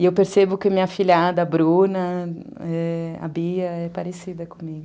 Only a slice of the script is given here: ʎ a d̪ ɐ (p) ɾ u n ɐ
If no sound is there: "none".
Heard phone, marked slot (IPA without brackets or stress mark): b